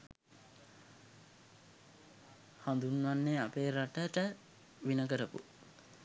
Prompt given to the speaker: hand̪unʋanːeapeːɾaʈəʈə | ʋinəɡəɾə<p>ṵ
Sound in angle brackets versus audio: correct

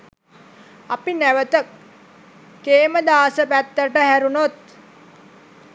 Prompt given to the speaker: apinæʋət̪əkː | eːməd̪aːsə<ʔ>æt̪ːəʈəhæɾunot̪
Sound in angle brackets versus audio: incorrect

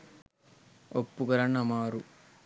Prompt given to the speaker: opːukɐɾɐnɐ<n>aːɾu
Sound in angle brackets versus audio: incorrect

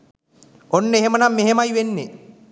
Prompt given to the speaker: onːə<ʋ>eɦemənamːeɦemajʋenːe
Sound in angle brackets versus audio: incorrect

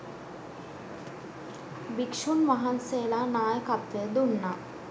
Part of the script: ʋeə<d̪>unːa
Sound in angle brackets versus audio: correct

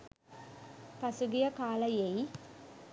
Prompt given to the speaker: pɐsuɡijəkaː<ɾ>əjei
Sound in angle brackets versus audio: incorrect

